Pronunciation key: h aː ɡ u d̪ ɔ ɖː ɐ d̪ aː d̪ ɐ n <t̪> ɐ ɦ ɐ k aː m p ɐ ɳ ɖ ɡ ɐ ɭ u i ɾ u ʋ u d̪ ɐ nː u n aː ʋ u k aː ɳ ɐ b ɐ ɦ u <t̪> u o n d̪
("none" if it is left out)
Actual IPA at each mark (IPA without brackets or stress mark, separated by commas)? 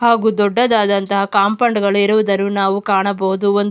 t̪, d̪